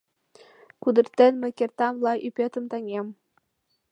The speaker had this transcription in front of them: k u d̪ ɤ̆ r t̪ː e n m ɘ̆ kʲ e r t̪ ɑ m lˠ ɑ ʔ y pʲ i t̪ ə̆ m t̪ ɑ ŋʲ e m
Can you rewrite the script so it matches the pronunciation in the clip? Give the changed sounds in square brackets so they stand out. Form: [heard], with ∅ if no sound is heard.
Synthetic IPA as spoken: k u d̪ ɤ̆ r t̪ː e n m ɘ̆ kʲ e r t̪ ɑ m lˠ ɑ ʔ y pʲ [e] t̪ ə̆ m t̪ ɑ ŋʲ e m